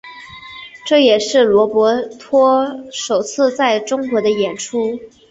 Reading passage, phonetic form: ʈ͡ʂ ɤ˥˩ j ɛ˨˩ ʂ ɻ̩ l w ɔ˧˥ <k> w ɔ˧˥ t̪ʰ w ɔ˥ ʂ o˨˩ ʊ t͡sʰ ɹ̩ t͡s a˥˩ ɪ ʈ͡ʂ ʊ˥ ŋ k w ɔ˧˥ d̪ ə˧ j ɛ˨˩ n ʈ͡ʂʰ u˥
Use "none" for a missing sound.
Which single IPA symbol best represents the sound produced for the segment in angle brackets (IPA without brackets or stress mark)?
p